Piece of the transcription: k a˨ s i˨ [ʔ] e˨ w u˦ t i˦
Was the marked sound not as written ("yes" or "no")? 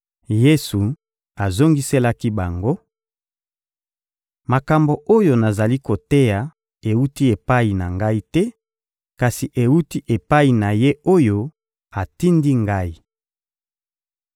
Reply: no